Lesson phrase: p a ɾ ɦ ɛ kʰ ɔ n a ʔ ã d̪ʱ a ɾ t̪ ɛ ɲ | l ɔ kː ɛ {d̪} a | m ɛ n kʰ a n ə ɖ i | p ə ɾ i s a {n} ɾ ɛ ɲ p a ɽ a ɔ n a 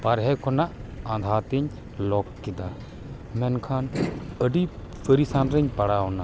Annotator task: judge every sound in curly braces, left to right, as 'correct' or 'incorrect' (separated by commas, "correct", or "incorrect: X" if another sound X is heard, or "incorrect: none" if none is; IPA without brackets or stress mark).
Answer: correct, correct